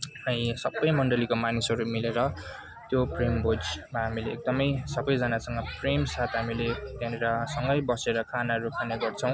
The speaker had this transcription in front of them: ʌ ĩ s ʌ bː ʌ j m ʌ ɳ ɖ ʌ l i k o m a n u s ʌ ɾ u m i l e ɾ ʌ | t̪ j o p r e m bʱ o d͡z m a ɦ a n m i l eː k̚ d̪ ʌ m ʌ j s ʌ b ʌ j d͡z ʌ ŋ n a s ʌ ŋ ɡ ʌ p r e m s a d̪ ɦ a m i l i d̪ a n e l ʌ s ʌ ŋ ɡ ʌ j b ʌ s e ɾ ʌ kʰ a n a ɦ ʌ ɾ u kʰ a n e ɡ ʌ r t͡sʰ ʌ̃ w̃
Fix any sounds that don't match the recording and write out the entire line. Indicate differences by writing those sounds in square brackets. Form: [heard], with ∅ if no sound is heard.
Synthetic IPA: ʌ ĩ s ʌ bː ʌ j m ʌ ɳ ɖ ʌ l i k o m a n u s ʌ ɾ u m i l e ɾ ʌ | t̪ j o p r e m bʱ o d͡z m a ɦ a [∅] m i l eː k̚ d̪ ʌ m ʌ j s ʌ b ʌ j d͡z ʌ [∅] n a s ʌ ŋ ɡ ʌ p r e m s a [t̪] ɦ a m i l [e] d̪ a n e [ɾ] ʌ s ʌ ŋ ɡ ʌ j b ʌ s e ɾ ʌ kʰ a n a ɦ ʌ ɾ u kʰ a n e ɡ ʌ r t͡sʰ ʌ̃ w̃